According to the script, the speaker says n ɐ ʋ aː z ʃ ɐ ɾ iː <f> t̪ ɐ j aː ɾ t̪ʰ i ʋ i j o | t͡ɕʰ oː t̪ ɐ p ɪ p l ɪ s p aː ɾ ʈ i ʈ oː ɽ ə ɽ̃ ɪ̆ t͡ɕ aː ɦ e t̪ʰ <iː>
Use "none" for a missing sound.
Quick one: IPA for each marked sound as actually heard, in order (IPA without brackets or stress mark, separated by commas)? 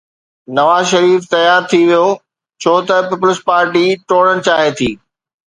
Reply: f, iː